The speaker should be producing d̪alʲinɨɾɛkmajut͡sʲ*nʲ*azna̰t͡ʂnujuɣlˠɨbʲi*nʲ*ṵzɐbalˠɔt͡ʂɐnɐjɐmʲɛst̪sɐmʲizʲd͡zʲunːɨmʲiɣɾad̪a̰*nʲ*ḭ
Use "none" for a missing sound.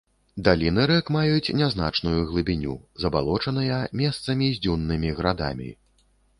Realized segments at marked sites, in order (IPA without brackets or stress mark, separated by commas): nʲ, nʲ, mʲ